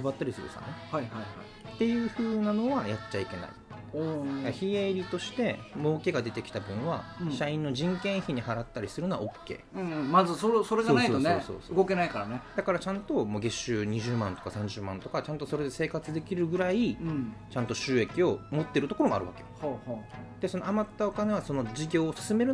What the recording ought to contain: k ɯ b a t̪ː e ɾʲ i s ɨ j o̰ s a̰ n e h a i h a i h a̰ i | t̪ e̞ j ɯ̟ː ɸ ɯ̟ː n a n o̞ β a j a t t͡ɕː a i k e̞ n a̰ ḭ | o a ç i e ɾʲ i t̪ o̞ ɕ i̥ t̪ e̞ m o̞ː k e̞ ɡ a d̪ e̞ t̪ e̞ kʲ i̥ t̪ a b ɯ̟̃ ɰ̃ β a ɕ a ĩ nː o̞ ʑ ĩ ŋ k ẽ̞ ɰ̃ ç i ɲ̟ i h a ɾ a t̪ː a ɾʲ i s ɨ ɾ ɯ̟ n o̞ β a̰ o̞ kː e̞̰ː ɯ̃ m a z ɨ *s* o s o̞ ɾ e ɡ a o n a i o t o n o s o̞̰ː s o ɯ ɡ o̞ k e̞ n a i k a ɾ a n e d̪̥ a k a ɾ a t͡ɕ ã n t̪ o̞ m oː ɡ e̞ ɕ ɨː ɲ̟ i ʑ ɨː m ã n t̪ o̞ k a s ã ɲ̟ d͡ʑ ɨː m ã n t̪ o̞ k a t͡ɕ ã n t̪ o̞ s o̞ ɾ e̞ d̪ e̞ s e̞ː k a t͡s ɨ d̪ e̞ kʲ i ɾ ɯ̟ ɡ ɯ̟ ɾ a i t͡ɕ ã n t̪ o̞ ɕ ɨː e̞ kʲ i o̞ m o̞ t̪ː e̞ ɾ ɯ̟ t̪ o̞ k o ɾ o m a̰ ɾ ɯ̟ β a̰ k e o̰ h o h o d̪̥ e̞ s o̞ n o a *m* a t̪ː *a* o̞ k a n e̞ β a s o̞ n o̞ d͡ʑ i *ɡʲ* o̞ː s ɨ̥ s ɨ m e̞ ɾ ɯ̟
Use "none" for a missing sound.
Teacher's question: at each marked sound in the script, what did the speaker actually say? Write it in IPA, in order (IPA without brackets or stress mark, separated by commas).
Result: s, m, a, ɡʲ